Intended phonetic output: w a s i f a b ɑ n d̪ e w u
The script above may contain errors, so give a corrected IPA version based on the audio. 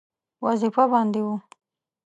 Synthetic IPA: w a z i f a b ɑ n d̪ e w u